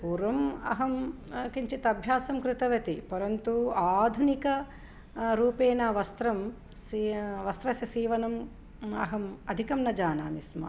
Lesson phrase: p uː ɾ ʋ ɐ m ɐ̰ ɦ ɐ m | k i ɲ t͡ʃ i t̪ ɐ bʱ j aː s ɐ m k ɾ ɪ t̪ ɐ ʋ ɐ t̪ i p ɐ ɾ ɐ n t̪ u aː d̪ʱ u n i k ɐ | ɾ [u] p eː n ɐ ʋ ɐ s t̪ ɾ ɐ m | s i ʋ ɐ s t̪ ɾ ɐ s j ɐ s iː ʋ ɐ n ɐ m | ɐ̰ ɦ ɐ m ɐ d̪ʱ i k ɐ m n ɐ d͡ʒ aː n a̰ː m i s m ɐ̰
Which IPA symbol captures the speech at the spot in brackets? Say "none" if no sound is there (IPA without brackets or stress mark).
uː